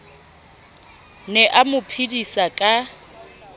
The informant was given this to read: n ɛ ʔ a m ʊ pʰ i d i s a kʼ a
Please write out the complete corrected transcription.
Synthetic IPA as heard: n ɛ ʔ a m ʊ pʰ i d i s a kʼ a